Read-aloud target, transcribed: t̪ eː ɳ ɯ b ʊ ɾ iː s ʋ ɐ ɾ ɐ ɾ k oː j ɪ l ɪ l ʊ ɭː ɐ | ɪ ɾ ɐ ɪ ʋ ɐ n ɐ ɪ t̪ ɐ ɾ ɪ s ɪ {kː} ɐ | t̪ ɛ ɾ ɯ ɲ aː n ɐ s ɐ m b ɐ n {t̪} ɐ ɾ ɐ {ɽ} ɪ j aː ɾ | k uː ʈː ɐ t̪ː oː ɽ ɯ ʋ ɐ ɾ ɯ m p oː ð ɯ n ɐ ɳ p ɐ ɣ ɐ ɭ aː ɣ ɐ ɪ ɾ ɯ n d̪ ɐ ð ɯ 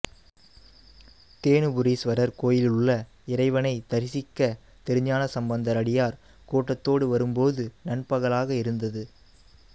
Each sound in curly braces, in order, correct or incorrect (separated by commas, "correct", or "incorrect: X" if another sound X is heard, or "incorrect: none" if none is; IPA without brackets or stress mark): correct, incorrect: d̪, correct